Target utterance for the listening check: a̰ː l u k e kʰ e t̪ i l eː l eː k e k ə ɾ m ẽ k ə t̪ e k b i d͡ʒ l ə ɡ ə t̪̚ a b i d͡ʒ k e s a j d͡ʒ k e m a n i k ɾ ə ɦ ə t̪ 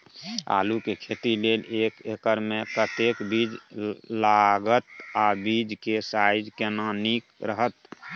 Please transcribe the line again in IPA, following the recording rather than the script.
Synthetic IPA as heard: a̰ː l u k e kʰ e t̪ i l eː l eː k e k ə ɾ m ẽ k ə t̪ e k b i d͡ʒ l a ɡ ə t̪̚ a b i d͡ʒ k e s a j d͡ʒ k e n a n i k ɾ ə ɦ ə t̪